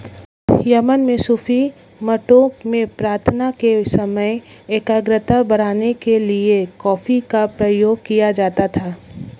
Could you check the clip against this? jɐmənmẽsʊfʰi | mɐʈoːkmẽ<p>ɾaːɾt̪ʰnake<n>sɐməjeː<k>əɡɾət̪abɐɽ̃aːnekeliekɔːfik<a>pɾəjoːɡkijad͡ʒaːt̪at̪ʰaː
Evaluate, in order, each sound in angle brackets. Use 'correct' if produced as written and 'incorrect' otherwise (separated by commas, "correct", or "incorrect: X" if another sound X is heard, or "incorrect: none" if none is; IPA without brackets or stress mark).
correct, incorrect: none, correct, correct